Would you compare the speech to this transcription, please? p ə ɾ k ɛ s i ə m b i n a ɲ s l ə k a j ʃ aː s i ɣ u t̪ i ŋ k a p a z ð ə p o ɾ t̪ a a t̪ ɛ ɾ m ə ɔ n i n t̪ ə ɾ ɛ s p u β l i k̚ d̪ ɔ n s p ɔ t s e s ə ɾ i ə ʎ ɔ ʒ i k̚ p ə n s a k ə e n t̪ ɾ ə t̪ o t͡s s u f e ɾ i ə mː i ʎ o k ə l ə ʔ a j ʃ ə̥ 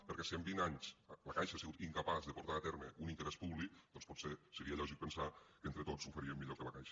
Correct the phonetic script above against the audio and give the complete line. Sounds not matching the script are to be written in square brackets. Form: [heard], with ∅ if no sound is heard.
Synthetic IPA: p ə ɾ k ɛ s i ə m b i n a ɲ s l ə k a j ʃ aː s i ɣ u t̪ i ŋ k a p a z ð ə p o ɾ t̪ a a t̪ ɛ ɾ m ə [u] n i n t̪ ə ɾ ɛ s p u β l i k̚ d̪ ɔ n s p ɔ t s e s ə ɾ i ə ʎ ɔ ʒ i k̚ p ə n s a k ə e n t̪ ɾ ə t̪ o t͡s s u f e ɾ i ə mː i ʎ o k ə l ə [k] a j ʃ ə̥